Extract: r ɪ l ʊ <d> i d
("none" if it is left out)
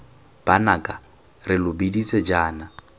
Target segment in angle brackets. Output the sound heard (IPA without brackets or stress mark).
b